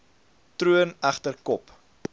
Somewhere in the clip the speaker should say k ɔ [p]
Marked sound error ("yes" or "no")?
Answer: no